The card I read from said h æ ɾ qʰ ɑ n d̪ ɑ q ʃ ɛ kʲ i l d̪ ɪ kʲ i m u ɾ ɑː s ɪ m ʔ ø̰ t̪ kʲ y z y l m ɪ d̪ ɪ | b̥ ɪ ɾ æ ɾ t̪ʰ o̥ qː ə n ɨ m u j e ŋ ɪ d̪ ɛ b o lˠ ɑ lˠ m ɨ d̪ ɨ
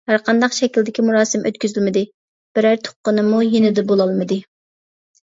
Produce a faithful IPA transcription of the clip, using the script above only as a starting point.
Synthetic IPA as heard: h æ ɾ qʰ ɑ n d̪ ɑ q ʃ ɛ kʲ i l d̪ ɪ kʲ i m u ɾ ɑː s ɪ m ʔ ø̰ t̪ kʲ y z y l m ɪ d̪ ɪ | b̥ ɪ ɾ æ ɾ t̪ʰ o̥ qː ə n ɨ m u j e n ɪ d̪ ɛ b o lˠ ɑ lˠ m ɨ d̪ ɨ